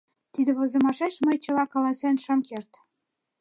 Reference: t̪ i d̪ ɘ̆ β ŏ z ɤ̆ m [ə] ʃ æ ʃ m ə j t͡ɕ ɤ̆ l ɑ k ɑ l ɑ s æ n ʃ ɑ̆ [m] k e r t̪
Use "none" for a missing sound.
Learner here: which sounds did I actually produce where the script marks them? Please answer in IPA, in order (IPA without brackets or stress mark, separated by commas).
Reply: ɑ, m